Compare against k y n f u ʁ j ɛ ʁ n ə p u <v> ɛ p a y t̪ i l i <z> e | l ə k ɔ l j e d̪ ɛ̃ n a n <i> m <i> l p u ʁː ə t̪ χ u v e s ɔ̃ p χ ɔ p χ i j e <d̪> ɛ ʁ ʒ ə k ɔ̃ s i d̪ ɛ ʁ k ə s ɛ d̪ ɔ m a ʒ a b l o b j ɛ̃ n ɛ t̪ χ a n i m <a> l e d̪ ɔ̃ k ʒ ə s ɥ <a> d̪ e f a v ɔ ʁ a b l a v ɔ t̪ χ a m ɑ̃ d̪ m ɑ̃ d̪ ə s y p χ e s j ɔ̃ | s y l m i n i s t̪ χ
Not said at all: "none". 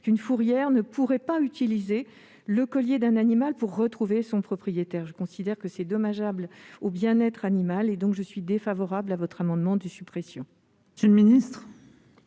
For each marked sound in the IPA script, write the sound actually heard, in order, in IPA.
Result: ʁ, z, i, a, t̪, a, i

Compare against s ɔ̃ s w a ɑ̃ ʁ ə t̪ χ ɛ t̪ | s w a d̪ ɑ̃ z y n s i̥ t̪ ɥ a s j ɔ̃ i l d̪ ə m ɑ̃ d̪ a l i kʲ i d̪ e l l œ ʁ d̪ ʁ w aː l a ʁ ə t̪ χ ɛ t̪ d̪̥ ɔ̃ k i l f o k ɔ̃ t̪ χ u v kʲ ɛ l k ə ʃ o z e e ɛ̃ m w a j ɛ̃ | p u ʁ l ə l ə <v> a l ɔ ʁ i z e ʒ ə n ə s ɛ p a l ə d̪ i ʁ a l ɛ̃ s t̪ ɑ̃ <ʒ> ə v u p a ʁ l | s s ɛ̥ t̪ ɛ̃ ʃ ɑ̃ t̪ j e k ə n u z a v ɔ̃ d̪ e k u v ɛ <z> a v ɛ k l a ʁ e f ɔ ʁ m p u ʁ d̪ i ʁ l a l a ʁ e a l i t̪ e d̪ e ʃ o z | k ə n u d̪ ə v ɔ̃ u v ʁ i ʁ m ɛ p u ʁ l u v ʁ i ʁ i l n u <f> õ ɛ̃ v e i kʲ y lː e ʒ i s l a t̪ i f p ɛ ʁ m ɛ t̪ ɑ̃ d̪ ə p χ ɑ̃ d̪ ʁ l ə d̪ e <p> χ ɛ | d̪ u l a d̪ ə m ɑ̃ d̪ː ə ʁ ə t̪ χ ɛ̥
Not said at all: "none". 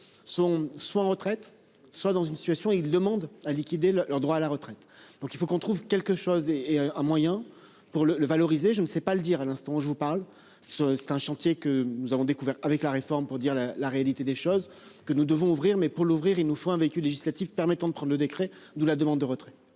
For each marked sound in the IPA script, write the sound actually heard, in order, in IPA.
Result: v, ʒ, ʁ, f, k

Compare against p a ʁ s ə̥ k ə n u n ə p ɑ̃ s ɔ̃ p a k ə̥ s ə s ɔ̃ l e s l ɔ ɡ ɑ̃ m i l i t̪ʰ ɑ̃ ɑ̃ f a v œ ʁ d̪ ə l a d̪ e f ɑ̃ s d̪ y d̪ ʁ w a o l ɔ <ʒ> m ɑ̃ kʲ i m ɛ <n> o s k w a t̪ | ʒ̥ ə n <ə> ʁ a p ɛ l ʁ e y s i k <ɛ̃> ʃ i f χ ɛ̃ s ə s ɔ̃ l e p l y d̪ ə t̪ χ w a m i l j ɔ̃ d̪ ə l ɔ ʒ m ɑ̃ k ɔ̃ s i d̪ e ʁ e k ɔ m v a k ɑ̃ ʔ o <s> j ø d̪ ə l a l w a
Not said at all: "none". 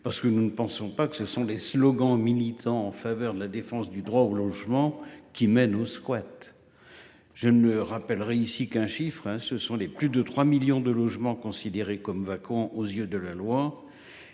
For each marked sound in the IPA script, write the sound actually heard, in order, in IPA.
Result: ʒ, n, ə, ɛ̃, z

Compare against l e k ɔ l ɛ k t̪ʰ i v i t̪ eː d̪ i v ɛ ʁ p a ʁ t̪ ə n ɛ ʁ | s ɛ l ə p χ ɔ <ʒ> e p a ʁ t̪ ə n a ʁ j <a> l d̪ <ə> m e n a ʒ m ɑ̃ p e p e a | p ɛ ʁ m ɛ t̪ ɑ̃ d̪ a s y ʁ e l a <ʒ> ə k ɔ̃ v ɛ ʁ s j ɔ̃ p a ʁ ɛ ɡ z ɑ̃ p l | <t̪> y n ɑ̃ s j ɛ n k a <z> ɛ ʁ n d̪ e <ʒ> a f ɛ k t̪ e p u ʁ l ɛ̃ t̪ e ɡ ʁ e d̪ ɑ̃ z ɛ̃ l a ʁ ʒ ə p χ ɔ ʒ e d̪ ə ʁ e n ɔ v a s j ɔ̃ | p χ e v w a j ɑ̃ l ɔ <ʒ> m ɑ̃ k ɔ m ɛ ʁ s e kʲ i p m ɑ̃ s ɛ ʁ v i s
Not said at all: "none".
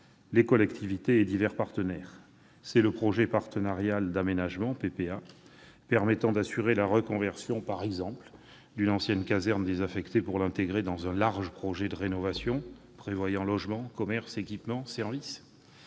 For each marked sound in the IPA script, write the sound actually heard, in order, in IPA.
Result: ʒ, a, a, ʁ, d̪, z, z, ʒ

